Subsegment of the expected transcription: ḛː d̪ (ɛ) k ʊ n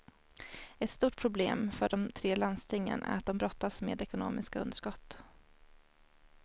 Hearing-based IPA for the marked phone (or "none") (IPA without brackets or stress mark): ɛ